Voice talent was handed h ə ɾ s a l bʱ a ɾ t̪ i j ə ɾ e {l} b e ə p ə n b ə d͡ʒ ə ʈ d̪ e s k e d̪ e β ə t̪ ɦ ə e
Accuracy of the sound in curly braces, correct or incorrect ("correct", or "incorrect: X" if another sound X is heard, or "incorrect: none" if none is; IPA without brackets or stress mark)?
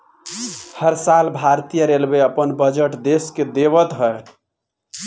correct